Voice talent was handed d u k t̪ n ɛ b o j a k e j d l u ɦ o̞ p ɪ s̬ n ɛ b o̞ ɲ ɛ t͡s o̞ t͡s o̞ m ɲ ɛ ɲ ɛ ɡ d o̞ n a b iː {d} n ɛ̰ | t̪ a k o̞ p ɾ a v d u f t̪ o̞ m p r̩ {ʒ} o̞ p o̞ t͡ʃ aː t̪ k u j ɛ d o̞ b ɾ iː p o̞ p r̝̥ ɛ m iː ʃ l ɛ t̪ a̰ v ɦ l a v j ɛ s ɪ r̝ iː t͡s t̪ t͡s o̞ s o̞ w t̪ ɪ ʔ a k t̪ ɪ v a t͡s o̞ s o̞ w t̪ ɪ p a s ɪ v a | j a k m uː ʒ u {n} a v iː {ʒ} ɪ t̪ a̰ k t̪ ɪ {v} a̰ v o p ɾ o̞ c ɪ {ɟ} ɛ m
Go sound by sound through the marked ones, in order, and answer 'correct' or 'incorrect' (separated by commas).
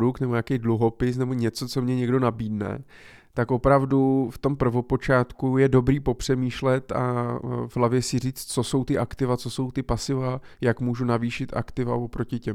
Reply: correct, incorrect, correct, incorrect, correct, incorrect